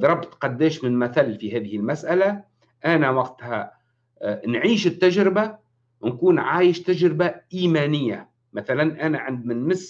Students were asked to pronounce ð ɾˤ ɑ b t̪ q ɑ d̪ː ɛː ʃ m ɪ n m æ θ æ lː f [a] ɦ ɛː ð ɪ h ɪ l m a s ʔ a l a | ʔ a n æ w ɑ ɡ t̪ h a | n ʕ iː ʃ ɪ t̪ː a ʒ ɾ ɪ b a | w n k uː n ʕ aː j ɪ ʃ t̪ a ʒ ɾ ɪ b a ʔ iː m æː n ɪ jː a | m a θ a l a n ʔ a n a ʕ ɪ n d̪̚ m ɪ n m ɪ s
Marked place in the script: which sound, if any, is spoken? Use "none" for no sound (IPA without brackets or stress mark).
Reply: i